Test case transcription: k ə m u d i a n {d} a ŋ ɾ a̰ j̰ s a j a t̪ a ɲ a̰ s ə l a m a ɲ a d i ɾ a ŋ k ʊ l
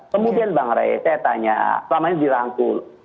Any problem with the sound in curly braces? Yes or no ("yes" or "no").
yes